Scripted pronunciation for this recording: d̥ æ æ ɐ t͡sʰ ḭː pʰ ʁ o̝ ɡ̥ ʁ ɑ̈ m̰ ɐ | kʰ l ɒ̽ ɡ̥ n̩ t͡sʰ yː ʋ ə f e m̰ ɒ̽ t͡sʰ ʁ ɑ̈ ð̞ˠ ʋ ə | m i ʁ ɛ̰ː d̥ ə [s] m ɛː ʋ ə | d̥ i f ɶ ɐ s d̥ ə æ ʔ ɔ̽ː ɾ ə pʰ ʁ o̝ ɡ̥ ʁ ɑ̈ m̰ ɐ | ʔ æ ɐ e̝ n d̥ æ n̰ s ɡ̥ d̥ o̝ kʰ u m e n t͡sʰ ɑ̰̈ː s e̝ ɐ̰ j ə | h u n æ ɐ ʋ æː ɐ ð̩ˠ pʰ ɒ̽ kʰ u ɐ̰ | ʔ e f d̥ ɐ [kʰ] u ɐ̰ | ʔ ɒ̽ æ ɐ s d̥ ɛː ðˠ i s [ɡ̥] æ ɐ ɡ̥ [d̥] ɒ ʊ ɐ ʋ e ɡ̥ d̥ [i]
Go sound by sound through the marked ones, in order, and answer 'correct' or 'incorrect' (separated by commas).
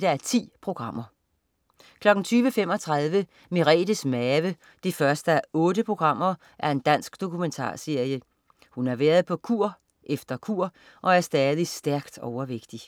correct, correct, incorrect, correct, correct